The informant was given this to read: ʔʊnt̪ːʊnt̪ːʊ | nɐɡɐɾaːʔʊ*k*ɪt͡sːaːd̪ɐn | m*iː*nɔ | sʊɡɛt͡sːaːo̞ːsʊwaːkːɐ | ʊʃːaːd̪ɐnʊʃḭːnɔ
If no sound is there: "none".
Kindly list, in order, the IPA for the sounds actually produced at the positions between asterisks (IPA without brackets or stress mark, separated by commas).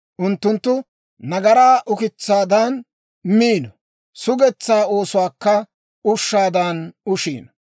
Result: k, iː